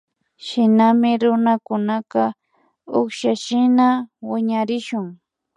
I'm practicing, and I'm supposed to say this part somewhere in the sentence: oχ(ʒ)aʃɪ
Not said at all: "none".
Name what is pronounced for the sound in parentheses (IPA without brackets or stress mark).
ʃ